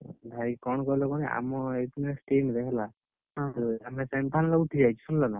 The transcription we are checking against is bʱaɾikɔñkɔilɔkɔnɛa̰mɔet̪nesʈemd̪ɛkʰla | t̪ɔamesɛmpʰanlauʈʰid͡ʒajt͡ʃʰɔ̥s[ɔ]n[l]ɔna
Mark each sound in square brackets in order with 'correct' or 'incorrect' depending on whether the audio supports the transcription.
incorrect: u, correct

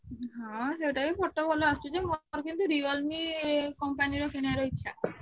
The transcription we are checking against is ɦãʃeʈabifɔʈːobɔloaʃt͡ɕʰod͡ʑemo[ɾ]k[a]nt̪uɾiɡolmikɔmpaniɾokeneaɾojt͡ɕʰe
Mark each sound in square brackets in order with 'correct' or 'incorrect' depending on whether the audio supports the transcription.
correct, incorrect: i

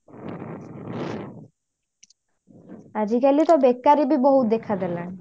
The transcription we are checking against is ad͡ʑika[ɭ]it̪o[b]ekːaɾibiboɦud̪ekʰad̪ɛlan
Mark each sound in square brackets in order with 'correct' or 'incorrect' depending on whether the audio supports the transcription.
incorrect: l, correct

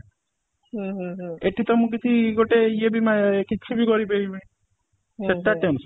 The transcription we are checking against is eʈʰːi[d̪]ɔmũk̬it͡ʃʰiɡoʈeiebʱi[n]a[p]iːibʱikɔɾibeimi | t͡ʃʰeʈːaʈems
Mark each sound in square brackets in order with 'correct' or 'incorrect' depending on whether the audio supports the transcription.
incorrect: t̪, incorrect: m, incorrect: k

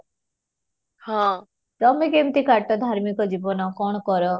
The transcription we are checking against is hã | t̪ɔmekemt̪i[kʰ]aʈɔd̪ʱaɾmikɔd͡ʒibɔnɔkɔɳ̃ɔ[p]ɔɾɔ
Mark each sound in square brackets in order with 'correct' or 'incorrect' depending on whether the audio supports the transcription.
incorrect: k, incorrect: k

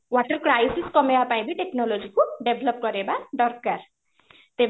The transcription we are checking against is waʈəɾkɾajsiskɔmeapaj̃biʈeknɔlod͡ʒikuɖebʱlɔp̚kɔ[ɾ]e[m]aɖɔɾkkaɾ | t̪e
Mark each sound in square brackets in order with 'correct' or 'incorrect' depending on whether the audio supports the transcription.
correct, incorrect: b

